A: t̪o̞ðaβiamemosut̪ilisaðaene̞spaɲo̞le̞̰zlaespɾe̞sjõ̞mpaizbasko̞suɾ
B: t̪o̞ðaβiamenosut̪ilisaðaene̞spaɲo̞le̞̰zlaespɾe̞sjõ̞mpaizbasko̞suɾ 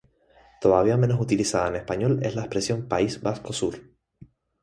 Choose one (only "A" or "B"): B